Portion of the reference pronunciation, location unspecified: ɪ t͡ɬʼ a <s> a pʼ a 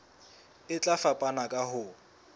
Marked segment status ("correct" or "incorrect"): incorrect